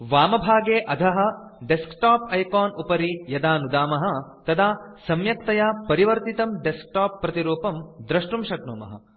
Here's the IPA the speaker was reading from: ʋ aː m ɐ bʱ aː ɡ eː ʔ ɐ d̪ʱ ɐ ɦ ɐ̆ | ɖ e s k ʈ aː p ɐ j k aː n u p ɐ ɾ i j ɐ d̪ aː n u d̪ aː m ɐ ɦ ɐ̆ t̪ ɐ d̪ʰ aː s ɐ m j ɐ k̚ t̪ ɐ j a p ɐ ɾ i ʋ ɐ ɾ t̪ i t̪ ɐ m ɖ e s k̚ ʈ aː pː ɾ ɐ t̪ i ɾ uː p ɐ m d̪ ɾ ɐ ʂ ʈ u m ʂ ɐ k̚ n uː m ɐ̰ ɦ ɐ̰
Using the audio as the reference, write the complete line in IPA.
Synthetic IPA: ʋ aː m ɐ bʱ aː ɡ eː ʔ ɐ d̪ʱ ɐ ɦ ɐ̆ | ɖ e s k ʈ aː p ɐ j k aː n u p ɐ ɾ i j ɐ d̪ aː n u d̪ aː m ɐ ɦ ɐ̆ t̪ ɐ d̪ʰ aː s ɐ m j ɐ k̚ t̪ ɐ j a p ɐ ɾ i ʋ ɐ ɾ t̪ i t̪ ɐ m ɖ e s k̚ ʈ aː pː ɾ ɐ t̪ i ɾ uː p ɐ m d̪ ɾ ɐ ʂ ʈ u m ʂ ɐ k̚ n uː m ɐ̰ ɦ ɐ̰